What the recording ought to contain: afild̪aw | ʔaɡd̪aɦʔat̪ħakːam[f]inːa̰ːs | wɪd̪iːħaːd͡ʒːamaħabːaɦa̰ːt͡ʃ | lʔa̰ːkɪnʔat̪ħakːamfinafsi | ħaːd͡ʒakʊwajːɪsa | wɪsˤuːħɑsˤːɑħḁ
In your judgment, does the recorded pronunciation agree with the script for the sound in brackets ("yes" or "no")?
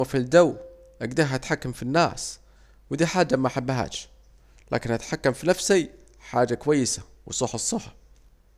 yes